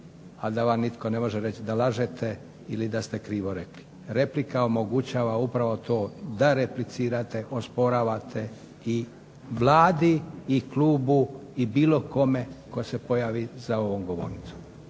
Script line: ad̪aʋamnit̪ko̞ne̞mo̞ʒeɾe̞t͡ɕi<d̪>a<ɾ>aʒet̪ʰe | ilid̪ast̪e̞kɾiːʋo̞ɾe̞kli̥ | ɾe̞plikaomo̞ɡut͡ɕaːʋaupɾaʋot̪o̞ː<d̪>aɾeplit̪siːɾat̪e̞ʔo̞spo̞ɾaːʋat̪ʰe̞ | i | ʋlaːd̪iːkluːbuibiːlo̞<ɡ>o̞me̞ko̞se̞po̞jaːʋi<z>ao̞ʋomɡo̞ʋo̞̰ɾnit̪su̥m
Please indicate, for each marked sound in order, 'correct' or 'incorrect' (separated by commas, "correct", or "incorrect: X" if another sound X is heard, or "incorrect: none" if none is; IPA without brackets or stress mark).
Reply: correct, incorrect: l, correct, incorrect: k, correct